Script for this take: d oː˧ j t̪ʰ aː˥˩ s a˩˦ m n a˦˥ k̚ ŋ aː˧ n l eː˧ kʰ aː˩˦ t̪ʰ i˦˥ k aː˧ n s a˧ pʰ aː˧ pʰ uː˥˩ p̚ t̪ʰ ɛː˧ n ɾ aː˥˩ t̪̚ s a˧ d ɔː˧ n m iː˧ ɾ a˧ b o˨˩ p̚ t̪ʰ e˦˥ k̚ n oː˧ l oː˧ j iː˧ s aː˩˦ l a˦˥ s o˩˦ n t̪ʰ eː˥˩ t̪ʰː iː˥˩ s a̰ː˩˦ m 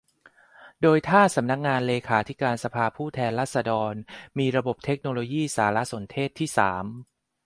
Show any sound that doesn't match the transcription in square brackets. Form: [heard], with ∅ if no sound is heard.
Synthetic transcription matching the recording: d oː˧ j t̪ʰ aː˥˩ s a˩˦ m n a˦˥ k̚ ŋ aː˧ n l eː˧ kʰ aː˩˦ t̪ʰ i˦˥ k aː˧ n s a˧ pʰ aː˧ pʰ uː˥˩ [∅] t̪ʰ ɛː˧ n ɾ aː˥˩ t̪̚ s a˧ d ɔː˧ n m iː˧ ɾ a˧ b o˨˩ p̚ t̪ʰ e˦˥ k̚ n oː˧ l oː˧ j [iː˥˩] s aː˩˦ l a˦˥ s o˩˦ n t̪ʰ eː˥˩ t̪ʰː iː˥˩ s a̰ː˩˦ m

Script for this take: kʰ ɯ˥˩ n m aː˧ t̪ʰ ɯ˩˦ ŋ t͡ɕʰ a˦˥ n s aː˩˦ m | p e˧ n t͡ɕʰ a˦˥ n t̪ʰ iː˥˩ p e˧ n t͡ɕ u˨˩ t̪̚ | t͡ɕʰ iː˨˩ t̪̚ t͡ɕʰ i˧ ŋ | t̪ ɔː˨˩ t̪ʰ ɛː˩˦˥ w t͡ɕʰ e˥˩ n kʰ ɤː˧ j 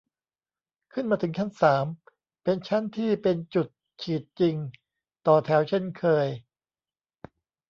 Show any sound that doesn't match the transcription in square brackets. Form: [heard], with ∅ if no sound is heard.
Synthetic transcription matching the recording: kʰ ɯ˥˩ n m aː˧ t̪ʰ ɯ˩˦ ŋ t͡ɕʰ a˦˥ n s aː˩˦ m | p e˧ n t͡ɕʰ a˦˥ n t̪ʰ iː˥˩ p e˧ n t͡ɕ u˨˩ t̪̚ | t͡ɕʰ iː˨˩ t̪̚ [t͡ɕ] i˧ ŋ | t̪ ɔː˨˩ t̪ʰ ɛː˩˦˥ w t͡ɕʰ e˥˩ n kʰ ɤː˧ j

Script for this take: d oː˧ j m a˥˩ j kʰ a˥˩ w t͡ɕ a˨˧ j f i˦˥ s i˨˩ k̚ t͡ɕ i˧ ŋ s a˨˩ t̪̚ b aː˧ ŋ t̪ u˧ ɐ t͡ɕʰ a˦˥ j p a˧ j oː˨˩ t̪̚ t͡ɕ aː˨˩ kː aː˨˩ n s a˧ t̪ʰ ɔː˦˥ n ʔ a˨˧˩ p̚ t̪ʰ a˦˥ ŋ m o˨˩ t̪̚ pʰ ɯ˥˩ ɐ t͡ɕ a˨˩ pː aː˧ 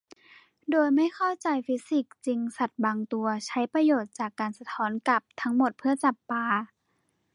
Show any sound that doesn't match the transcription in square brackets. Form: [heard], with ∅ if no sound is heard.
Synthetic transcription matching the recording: d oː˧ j m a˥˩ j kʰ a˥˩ w t͡ɕ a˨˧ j f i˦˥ s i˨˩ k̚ t͡ɕ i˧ ŋ s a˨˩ t̪̚ b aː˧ ŋ t̪ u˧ ɐ t͡ɕʰ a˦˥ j p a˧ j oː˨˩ t̪̚ t͡ɕ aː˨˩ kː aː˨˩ n s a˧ t̪ʰ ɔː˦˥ n [k] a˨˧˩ p̚ t̪ʰ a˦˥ ŋ m o˨˩ t̪̚ pʰ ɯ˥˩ ɐ t͡ɕ a˨˩ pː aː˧

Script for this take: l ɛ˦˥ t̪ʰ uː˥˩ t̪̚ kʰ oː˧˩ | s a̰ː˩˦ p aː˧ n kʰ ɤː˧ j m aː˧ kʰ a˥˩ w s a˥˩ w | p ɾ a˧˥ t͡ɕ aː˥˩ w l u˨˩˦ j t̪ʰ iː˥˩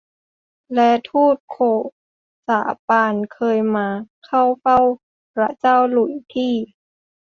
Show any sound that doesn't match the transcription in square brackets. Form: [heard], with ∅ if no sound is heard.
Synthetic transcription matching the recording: l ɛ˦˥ t̪ʰ uː˥˩ t̪̚ kʰ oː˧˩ | s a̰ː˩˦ p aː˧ n kʰ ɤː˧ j m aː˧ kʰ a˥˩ w [f] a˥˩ w | p ɾ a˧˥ t͡ɕ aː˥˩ w l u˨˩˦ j t̪ʰ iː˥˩

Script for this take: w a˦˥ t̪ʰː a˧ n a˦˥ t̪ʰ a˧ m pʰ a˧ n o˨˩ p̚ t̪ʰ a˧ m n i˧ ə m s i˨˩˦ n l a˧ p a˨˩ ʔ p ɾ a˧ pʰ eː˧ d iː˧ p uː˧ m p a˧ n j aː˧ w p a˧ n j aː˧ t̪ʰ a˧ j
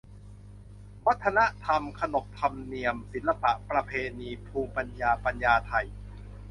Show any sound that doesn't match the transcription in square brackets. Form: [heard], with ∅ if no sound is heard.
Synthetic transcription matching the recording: w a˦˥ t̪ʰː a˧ n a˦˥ t̪ʰ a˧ m [kʰ] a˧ n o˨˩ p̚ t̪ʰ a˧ m n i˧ ə m s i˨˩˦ n l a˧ p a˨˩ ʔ p ɾ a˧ pʰ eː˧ [n] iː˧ [pʰ] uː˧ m p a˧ n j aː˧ [∅] p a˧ n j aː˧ t̪ʰ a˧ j

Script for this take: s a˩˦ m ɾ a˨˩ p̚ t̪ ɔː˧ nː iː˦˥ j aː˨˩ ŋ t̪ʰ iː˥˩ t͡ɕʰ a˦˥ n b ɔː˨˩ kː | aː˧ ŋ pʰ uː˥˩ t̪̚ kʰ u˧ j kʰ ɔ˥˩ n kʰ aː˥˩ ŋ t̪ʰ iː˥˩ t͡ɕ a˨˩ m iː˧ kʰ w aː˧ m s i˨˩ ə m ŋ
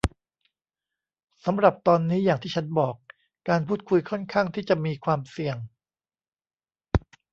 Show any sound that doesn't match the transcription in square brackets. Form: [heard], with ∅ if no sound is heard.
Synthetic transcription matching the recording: s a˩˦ m ɾ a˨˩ p̚ t̪ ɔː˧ nː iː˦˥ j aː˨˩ ŋ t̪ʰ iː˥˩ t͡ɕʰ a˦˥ n b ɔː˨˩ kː | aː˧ [n] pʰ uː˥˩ t̪̚ kʰ u˧ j kʰ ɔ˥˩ n kʰ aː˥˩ ŋ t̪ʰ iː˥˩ t͡ɕ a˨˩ m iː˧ kʰ w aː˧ m s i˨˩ ə [∅] ŋ

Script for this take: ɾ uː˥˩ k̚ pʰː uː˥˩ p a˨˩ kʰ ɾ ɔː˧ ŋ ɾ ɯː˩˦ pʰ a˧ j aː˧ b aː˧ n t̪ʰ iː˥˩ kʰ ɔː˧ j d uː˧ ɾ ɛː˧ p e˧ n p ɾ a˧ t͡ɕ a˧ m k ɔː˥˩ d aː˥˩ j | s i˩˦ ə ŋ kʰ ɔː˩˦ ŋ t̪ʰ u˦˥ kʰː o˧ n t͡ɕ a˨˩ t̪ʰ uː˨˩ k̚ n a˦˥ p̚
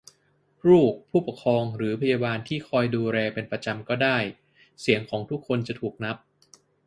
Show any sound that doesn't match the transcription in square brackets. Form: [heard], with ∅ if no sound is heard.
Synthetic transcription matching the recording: ɾ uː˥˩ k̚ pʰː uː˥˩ p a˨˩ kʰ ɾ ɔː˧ ŋ ɾ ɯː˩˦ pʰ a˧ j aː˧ b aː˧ n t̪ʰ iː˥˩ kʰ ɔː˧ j d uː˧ ɾ ɛː˧ p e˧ n p ɾ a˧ t͡ɕ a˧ m k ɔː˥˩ d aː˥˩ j | s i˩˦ ə ŋ kʰ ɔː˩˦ ŋ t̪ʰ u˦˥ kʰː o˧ n t͡ɕ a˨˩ t̪ʰ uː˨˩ k̚ n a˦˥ p̚

